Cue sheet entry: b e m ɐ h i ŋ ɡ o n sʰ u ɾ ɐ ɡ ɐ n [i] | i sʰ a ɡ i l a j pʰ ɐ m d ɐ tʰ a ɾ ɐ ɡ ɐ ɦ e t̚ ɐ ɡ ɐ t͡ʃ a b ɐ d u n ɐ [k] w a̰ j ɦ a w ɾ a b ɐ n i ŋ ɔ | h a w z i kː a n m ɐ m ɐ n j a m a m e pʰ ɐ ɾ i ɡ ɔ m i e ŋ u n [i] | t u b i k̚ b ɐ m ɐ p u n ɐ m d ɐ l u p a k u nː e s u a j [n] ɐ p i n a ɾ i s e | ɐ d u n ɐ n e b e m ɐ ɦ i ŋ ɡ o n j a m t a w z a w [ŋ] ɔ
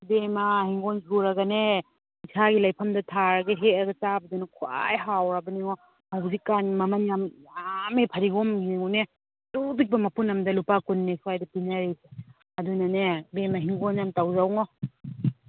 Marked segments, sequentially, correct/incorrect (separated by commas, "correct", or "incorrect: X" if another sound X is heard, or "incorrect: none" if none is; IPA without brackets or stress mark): incorrect: e, incorrect: kʰ, incorrect: e, incorrect: d, correct